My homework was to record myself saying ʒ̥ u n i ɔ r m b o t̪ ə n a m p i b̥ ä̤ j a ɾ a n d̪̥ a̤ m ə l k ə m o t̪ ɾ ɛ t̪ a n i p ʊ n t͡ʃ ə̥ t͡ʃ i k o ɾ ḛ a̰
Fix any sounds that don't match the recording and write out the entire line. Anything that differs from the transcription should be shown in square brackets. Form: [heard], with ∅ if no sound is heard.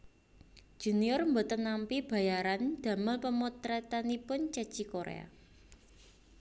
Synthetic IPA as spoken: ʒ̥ u n i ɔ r m b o t̪ ə n a m p i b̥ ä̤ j a ɾ a n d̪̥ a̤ m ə l [p] ə m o t̪ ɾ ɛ t̪ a n i p ʊ n t͡ʃ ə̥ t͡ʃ i k o ɾ ḛ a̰